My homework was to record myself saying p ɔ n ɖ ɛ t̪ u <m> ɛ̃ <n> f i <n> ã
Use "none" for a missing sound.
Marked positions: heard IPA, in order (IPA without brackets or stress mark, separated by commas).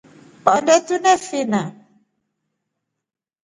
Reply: n, none, n